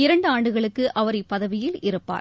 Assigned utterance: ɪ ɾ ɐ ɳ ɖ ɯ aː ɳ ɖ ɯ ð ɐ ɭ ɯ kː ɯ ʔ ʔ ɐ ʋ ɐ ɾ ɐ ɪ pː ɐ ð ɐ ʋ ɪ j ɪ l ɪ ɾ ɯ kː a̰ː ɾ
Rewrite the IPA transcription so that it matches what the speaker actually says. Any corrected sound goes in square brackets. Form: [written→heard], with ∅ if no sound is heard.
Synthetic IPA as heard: ɪ ɾ ɐ ɳ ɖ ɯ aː ɳ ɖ ɯ [ð→ɣ] ɐ ɭ ɯ kː ɯ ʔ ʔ ɐ ʋ ɐ ɾ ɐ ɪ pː ɐ ð ɐ ʋ ɪ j ɪ l ɪ ɾ ɯ [kː→pː] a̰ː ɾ